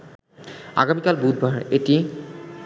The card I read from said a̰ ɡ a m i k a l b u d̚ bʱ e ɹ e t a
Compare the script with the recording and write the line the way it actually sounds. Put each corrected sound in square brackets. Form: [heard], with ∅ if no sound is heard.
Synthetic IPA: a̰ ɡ a m i k a l b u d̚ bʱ [a] ɹ e t [i]